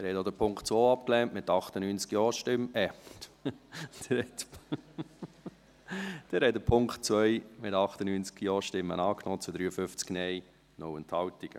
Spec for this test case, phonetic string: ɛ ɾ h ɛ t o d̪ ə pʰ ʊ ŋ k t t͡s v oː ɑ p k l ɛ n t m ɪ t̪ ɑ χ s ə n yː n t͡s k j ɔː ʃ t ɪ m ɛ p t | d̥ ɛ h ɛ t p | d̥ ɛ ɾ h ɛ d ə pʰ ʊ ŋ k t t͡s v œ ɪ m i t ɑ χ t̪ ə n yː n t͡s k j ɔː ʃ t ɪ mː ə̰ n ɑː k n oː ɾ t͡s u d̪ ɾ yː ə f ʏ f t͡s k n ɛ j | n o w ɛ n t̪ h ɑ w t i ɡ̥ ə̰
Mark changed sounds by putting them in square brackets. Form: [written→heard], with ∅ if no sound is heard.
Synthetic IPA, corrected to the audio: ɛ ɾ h ɛ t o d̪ ə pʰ ʊ ŋ k t t͡s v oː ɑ p k l ɛ n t m ɪ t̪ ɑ χ [s→t] ə n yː n t͡s k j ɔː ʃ t ɪ m ɛ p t | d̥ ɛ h ɛ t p | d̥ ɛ ɾ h ɛ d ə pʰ ʊ ŋ k t t͡s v œ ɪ m [i→ɪ] t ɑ χ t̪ ə n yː n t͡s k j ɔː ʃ t ɪ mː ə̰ n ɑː k n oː [ɾ→∅] t͡s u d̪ ɾ yː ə f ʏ f t͡s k n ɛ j | n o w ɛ n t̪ h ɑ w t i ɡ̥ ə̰